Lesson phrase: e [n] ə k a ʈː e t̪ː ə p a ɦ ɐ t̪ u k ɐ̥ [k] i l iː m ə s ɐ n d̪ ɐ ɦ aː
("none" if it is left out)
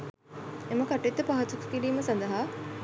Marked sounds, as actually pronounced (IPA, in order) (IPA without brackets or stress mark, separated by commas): m, k